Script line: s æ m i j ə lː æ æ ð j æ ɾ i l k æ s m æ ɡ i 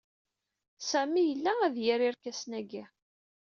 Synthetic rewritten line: s æ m i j ə lː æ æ ð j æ ɾ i ɾ k æ s n æ ɡ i